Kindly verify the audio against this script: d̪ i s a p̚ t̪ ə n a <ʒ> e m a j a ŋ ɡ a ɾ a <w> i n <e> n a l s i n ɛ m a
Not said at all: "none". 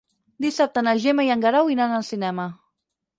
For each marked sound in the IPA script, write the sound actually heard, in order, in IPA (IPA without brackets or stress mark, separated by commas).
ʒ, w, a